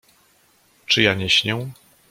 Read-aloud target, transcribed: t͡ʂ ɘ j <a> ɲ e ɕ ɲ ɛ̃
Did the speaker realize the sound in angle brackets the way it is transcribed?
yes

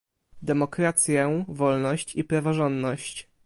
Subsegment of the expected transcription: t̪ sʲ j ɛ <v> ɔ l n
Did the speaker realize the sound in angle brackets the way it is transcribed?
yes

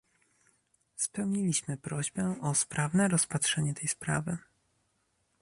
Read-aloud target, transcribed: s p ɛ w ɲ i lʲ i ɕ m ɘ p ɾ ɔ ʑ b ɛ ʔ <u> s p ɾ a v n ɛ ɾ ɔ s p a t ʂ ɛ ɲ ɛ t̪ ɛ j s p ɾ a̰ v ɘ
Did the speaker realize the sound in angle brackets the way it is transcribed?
no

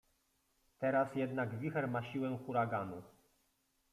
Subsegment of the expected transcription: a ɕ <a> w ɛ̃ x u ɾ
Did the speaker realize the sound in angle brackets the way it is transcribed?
no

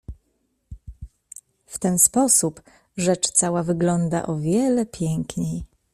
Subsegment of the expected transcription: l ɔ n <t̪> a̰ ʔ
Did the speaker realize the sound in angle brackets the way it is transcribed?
no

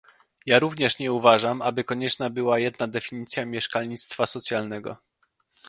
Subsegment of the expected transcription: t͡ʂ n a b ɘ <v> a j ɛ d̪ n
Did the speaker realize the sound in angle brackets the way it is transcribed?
no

